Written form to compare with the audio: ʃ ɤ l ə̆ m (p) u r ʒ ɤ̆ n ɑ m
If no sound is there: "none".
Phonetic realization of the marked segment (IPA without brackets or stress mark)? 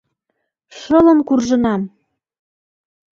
k